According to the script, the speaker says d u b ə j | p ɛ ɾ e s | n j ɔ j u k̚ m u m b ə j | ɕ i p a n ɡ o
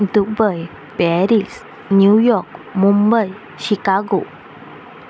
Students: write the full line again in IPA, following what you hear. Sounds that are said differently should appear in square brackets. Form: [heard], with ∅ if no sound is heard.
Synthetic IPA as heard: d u b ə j | p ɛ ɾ [i] s | n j [u] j [ɔ] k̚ m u m b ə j | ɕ i [k] a [∅] ɡ o